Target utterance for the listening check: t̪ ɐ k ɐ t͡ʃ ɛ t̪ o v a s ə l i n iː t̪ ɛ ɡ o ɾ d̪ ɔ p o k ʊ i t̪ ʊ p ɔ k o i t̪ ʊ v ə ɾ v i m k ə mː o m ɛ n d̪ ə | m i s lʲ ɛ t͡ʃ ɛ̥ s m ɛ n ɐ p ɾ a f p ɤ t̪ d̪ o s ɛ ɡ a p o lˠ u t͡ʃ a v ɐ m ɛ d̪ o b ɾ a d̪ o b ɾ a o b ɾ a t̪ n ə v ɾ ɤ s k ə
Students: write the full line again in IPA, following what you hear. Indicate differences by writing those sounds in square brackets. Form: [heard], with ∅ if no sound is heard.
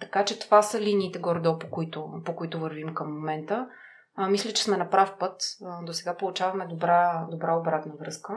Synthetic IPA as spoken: t̪ ɐ k [a] t͡ʃ ɛ t̪ o v a s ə l i n iː t̪ ɛ ɡ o ɾ d̪ ɔ p o k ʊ i t̪ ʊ p [o] k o i t̪ ʊ v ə ɾ v i m k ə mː o m ɛ n [t̪] ə | m i s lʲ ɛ t͡ʃ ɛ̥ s m ɛ n ɐ p ɾ a f p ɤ t̪ d̪ o s ɛ ɡ a p o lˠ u t͡ʃ a v ɐ m ɛ d̪ o b ɾ a d̪ o b ɾ a o b ɾ a t̪ n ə v ɾ ɤ s k ə